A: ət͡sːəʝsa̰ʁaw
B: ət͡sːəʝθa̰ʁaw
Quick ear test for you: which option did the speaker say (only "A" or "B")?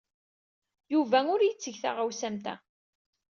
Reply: B